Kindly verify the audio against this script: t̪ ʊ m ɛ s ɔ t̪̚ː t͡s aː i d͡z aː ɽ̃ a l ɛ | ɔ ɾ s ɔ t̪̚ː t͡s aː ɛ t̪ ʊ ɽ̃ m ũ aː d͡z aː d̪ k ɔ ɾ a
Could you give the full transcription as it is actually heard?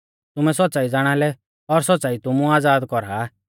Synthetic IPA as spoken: t̪ ʊ m ɛ s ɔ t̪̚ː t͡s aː i d͡z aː ɽ̃ a l ɛ | ɔ ɾ s ɔ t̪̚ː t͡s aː i t̪ ʊ m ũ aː d͡z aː d̪ k ɔ ɾ a